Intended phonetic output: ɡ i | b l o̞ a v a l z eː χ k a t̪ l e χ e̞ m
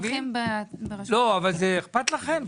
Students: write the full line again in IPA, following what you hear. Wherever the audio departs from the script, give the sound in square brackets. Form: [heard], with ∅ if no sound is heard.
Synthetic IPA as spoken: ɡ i | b l o̞ a v a l z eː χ [p] a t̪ l [a] χ e̞ m